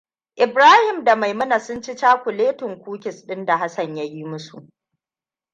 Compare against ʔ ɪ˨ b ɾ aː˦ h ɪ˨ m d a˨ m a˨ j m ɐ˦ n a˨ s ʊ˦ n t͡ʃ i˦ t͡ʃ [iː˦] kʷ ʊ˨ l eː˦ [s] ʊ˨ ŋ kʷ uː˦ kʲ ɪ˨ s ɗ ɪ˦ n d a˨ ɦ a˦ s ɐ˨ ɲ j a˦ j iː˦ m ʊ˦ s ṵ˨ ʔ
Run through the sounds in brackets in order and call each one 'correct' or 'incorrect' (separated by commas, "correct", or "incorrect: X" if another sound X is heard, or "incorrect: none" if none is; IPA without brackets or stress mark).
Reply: incorrect: aː˦, incorrect: t